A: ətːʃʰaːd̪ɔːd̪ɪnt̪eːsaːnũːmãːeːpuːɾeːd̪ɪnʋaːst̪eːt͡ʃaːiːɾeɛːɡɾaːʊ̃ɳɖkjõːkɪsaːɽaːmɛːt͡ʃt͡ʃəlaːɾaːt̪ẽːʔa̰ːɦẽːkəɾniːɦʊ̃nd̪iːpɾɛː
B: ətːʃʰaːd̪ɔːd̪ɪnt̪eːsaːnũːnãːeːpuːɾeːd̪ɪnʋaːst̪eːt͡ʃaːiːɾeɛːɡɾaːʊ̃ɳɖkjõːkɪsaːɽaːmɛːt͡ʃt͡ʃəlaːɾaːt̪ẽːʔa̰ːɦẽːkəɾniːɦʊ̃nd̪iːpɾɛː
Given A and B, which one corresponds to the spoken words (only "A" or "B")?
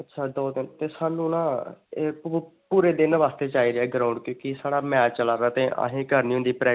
B